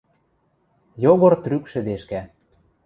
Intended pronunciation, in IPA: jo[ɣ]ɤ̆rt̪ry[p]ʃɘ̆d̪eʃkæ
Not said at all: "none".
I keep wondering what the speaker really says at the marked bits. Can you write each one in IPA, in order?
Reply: ɣ, k

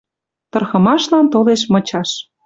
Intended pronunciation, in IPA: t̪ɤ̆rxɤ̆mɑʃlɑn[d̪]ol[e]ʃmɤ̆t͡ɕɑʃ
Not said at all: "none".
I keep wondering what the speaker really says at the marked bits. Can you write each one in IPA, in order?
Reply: t̪, e

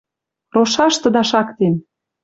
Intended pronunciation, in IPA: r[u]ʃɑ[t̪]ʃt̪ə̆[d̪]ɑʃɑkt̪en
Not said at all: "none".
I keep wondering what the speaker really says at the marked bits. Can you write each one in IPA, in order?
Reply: o, none, d̪

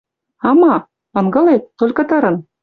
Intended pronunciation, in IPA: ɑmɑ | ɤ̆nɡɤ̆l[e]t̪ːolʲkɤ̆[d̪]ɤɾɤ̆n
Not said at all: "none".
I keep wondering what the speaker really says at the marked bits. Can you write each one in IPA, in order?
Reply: e, t̪

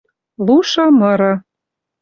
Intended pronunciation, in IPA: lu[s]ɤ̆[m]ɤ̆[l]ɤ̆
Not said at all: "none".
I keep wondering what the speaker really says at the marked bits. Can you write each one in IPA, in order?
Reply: ʃ, m, ɾ

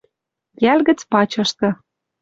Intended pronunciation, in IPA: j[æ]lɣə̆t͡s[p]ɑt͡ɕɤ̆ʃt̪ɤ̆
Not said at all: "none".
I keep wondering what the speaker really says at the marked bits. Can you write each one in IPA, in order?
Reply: æ, p

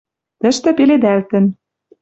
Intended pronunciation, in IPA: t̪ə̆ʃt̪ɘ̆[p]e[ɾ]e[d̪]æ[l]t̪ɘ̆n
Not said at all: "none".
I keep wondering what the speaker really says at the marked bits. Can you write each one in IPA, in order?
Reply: p, l, d̪, l

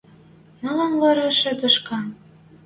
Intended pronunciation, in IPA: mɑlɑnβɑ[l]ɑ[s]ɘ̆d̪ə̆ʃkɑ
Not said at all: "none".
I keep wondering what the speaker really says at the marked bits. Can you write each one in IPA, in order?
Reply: ɾ, ʃ

